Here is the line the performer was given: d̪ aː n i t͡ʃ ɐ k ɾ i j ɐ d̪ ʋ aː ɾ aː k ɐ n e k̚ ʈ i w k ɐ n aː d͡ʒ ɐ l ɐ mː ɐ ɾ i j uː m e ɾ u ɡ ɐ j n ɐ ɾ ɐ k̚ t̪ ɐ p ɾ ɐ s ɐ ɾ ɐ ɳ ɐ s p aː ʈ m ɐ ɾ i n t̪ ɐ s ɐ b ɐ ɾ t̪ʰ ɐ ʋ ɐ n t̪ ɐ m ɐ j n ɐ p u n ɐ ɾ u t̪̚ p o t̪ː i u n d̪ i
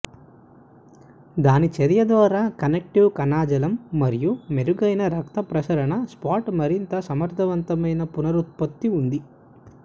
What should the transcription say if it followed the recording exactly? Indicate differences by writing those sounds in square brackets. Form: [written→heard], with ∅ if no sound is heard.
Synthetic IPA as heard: d̪ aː n i t͡ʃ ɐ [k→∅] ɾ i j ɐ d̪ ʋ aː ɾ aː k ɐ n e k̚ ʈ i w k ɐ n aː d͡ʒ ɐ l ɐ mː ɐ ɾ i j [uː→u] m e ɾ u ɡ ɐ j n ɐ ɾ ɐ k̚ t̪ ɐ p ɾ ɐ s ɐ ɾ ɐ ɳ ɐ s p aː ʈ m ɐ ɾ i n t̪ ɐ s ɐ [b→m] ɐ ɾ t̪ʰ ɐ ʋ ɐ n t̪ ɐ m ɐ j n ɐ p u n ɐ ɾ u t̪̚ p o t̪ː i u n d̪ i